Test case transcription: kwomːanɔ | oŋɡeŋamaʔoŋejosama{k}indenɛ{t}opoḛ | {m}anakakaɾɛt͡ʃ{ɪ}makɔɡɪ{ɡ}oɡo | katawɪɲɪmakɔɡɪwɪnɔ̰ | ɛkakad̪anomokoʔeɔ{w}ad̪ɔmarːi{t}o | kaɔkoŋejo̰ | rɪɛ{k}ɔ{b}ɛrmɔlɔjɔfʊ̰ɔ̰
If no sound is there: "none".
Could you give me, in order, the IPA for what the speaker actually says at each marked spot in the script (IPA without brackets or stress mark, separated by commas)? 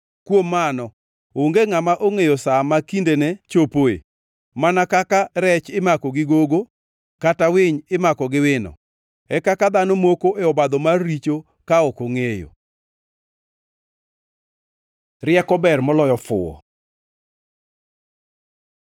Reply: k, t͡ʃ, m, ɪ, ɡ, b, t͡ʃ, k, b